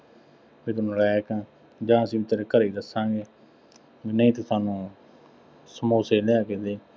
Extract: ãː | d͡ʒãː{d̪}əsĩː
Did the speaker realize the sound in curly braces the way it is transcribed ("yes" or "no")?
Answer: no